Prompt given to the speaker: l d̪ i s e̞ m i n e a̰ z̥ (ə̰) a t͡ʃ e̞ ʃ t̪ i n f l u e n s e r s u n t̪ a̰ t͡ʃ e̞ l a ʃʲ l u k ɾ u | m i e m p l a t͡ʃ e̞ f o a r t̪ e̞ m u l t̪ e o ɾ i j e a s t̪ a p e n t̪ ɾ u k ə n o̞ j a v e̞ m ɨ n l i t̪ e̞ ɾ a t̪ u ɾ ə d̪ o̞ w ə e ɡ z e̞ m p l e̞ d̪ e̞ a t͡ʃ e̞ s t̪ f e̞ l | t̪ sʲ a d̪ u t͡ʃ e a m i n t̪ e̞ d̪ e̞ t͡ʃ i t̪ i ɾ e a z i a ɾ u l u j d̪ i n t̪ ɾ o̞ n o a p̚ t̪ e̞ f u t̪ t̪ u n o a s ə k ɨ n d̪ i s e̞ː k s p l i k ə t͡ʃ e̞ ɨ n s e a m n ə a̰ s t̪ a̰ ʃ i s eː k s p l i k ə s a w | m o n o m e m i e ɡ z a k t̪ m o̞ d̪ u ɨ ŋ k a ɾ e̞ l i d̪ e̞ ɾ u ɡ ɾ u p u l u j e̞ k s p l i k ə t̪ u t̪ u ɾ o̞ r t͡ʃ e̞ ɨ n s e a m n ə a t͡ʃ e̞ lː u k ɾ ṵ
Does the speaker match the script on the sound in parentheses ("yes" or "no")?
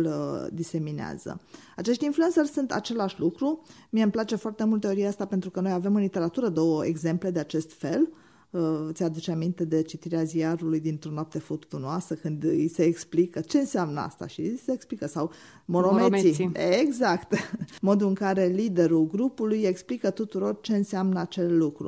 yes